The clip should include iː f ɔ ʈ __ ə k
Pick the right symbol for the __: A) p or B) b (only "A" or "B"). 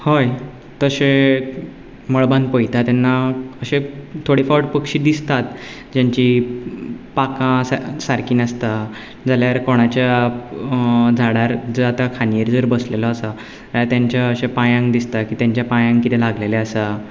A